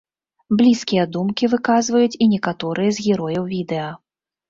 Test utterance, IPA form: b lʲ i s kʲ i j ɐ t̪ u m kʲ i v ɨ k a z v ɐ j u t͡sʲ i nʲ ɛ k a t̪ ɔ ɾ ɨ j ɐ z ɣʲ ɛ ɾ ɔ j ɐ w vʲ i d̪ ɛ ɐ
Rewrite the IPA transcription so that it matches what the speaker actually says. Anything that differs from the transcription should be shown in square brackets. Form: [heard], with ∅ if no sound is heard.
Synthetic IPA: b lʲ i s kʲ i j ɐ [d̪] u m kʲ i v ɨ k a z v ɐ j u t͡sʲ i nʲ ɛ k a t̪ ɔ ɾ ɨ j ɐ z ɣʲ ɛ ɾ ɔ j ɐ w vʲ i d̪ ɛ ɐ